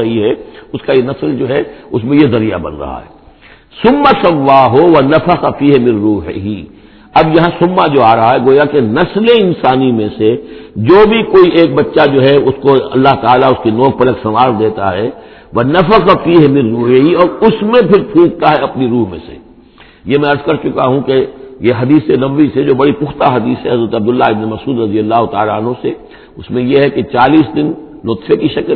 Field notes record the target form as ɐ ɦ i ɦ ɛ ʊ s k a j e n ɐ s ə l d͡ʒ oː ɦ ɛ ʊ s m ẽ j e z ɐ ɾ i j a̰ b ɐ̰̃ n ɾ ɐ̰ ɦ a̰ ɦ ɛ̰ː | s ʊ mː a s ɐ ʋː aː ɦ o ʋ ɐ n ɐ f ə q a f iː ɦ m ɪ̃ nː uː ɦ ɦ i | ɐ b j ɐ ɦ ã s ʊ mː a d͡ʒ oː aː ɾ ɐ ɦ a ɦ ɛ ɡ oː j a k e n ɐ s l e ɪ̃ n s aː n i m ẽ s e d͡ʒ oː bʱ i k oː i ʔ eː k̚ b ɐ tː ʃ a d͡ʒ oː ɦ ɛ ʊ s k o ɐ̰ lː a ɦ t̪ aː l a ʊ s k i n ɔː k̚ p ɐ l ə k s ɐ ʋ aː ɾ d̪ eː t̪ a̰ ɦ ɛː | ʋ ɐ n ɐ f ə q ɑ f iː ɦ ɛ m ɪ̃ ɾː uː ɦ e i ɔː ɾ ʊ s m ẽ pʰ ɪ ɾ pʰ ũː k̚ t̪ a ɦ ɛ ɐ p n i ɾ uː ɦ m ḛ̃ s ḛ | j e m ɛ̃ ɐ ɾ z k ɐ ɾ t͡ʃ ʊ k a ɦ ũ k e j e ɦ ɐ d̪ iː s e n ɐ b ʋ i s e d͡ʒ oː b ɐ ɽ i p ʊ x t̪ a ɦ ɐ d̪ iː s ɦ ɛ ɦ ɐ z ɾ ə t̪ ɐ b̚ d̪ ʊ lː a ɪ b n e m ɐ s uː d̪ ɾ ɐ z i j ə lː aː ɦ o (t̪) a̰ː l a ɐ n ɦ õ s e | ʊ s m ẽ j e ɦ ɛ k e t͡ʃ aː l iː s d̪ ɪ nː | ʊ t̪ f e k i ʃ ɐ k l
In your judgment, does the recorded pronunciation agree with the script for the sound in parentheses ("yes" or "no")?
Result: yes